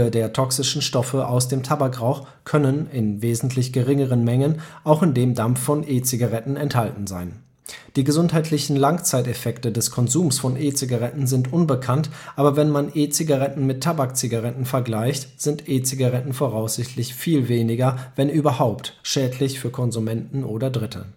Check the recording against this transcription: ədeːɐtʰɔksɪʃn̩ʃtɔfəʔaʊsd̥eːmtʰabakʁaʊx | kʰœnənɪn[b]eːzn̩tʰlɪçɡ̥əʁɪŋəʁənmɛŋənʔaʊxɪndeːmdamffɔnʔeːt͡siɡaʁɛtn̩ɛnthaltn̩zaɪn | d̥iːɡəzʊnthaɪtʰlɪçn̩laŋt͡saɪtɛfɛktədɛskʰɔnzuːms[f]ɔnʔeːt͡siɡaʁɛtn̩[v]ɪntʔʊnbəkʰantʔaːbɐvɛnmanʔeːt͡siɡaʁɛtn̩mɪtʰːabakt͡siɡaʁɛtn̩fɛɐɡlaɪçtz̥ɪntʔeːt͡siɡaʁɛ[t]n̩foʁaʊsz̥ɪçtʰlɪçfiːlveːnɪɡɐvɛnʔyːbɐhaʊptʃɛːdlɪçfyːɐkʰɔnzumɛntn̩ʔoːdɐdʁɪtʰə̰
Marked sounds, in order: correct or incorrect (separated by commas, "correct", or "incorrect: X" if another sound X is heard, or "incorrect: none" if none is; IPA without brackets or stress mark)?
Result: incorrect: v, correct, incorrect: z, correct